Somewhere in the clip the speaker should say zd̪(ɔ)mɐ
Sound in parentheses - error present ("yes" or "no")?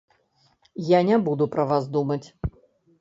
yes